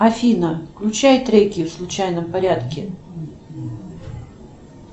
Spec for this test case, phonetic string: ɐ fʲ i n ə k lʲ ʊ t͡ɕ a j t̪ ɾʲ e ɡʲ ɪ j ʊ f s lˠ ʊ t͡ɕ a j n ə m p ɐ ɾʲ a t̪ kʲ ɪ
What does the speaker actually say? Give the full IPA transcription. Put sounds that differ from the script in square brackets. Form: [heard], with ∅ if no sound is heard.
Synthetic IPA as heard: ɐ fʲ i n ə k lʲ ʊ t͡ɕ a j t̪ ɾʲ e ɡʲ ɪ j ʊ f s lˠ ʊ t͡ɕ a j n ə m p ɐ ɾʲ a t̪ kʲ ɪ